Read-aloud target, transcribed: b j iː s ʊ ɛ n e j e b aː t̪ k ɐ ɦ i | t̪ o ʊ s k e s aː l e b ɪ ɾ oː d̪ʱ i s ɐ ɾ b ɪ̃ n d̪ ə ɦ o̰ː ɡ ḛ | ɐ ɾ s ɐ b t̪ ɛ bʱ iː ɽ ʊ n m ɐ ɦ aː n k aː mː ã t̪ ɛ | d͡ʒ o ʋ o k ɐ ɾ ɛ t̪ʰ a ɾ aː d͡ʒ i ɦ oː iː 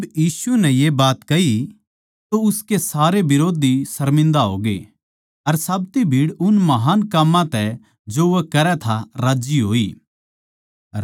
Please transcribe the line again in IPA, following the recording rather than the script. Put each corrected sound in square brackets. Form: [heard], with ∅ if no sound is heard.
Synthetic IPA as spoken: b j iː s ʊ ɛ n [ɛ] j e b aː t̪ k ɐ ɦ i | t̪ o ʊ s k e s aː [ɾ] e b ɪ ɾ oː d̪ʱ i s ɐ ɾ [m] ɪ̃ n d̪ [a] ɦ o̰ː ɡ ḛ | ɐ ɾ s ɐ b t̪ [i] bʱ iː ɽ ʊ n m ɐ ɦ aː n k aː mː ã t̪ ɛ | d͡ʒ o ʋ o k ɐ ɾ ɛ t̪ʰ a ɾ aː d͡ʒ i ɦ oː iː